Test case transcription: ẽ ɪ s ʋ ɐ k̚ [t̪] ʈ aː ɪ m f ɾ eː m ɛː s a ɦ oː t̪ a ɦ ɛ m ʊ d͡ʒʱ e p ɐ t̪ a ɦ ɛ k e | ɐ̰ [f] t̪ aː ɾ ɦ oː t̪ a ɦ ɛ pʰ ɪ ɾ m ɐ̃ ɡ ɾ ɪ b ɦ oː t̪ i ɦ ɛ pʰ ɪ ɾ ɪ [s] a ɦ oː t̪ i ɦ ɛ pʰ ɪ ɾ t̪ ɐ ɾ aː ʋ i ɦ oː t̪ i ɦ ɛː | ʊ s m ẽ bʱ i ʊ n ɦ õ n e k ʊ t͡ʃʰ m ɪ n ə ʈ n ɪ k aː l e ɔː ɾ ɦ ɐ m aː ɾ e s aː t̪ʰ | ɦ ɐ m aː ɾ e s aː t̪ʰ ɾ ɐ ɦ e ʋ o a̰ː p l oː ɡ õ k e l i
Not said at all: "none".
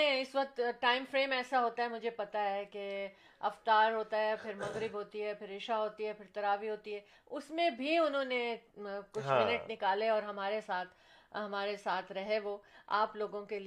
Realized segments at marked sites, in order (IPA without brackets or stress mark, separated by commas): t̪, f, ʃ